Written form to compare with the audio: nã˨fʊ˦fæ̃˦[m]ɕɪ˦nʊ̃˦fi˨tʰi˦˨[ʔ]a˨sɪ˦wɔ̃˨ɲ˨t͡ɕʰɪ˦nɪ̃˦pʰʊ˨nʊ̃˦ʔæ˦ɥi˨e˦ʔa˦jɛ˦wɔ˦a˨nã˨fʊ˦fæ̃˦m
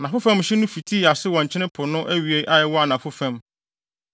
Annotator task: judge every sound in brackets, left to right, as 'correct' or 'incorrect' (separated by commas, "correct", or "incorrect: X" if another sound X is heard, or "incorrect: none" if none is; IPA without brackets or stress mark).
correct, incorrect: none